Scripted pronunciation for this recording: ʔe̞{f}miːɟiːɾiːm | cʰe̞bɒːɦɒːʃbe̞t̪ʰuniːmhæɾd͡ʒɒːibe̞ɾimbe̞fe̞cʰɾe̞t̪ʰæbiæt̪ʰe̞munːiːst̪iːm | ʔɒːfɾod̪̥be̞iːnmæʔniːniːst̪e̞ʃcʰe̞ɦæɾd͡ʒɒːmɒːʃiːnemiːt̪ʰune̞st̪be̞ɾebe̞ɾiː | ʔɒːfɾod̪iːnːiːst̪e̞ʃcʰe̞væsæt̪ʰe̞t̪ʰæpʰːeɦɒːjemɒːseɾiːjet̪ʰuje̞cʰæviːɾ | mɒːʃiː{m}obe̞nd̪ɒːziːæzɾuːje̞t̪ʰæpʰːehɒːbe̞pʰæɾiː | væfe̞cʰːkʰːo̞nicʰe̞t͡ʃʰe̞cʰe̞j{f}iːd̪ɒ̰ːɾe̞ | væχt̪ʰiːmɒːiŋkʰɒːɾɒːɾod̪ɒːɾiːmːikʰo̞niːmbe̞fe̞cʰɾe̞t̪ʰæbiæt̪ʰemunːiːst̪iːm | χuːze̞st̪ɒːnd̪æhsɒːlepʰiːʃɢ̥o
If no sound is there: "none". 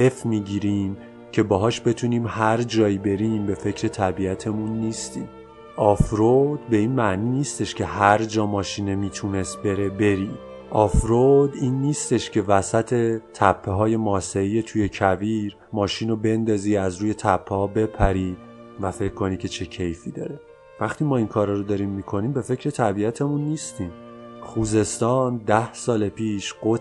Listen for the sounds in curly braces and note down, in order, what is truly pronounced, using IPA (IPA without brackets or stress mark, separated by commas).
f, n, f